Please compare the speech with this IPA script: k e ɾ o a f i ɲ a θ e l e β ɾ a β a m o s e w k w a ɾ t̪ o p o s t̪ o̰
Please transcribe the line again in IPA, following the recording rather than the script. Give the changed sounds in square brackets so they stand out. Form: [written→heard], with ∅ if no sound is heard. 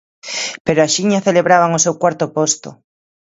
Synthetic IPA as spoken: [k→p] e ɾ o a [f→ʃ] i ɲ a θ e l e β ɾ a β a [m→ŋ] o s e w k w a ɾ t̪ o p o s t̪ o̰